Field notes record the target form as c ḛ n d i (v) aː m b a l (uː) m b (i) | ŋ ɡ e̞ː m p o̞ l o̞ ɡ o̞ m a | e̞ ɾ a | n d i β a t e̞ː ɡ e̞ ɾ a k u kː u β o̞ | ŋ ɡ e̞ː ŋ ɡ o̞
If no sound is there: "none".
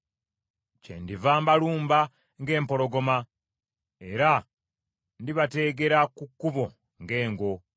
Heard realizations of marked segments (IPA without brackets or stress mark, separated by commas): v, uː, a